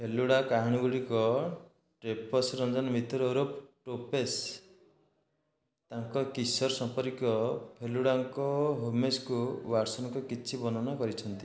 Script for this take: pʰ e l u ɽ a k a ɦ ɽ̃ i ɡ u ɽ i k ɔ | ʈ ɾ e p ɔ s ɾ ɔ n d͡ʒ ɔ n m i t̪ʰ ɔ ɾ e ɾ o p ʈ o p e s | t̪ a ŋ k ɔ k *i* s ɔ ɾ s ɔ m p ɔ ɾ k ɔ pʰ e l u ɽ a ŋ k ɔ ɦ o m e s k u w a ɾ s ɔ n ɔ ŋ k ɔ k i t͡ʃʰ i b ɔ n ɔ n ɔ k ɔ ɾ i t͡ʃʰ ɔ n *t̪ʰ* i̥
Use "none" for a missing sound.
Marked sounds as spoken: i, t̪

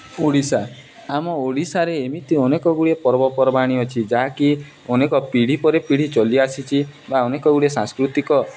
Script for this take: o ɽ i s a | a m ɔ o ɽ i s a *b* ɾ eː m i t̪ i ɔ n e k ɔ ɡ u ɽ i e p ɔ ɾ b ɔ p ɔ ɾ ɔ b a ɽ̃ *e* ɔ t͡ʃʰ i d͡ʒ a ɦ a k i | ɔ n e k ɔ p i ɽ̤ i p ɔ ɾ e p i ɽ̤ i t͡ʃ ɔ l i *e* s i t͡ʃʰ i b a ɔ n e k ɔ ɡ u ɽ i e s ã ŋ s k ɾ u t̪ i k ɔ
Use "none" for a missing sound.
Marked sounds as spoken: none, i, a

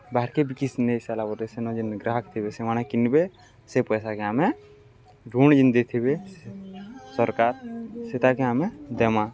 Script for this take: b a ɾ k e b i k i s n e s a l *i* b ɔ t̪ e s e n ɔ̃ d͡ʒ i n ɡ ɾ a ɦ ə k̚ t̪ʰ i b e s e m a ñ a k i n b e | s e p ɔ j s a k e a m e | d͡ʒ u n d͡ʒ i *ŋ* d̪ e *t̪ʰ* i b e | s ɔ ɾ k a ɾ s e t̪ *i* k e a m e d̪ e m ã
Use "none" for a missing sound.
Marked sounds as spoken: a, n, t̪ʰ, a

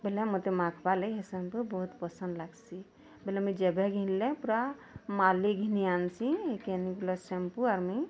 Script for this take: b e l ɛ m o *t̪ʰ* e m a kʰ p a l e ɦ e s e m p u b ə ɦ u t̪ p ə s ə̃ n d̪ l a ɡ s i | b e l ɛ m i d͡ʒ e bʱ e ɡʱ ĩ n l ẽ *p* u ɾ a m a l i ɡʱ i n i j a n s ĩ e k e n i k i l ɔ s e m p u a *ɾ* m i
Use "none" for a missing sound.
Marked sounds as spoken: t̪, p, ɾ

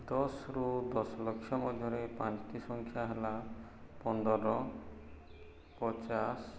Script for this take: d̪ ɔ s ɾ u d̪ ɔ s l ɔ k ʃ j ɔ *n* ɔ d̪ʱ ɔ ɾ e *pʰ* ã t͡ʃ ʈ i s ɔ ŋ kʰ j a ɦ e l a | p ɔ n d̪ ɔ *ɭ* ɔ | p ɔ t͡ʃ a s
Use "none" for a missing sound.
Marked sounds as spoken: m, p, ɾ

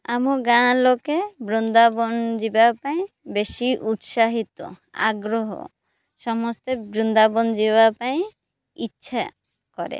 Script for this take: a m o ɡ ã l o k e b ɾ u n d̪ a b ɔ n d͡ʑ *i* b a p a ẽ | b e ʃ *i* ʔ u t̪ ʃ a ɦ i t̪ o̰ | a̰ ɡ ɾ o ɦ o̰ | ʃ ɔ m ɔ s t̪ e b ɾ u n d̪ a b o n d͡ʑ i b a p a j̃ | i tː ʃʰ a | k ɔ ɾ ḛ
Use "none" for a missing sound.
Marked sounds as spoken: i, i

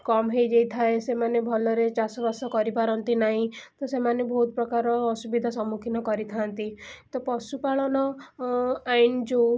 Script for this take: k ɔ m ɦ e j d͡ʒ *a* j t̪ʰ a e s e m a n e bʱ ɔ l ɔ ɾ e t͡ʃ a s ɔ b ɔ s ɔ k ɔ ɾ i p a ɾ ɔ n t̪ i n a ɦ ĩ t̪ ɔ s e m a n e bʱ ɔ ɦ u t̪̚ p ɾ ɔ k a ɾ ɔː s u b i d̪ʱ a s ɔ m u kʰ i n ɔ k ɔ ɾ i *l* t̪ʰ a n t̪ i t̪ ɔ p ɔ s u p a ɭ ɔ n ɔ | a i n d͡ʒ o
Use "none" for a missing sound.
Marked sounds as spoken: e, none

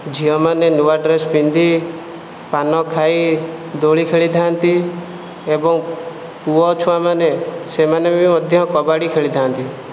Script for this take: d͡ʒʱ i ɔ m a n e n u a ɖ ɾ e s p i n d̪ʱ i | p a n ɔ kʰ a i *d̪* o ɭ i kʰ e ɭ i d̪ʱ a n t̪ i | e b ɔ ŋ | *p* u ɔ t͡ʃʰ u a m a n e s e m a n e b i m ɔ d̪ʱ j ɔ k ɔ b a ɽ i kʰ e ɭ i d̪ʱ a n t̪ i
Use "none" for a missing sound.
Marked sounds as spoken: d̪, p

